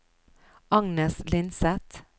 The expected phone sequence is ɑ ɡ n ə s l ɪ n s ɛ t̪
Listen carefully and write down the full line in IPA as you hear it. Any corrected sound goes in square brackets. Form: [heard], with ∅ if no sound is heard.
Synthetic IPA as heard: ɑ [ŋ] n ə s l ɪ n s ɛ t̪